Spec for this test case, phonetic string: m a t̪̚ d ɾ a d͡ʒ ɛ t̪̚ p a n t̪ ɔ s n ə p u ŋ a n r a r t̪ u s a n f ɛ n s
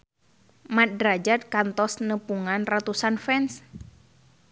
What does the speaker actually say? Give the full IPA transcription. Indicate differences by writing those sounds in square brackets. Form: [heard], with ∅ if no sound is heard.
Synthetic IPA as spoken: m a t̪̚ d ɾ a d͡ʒ [a] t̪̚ [k] a n t̪ ɔ s n ə p u ŋ a n r a [∅] t̪ u s a n f ɛ n s